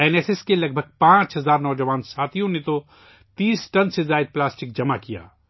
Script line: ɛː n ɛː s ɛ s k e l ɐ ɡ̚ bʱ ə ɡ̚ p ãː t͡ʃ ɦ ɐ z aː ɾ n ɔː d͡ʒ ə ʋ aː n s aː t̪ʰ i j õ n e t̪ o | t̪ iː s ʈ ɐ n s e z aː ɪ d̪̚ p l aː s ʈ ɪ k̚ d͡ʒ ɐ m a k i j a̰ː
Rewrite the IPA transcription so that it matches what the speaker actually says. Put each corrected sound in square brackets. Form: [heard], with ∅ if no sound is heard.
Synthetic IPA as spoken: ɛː n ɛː s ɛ s k e l ɐ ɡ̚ bʱ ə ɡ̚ p ãː t͡ʃ ɦ ɐ z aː ɾ n ɔː d͡ʒ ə ʋ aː n s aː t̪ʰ i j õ n e t̪ o | t̪ iː s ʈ ɐ n s e z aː ɪ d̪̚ p l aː s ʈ ɪ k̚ d͡ʒ ɐ m a k i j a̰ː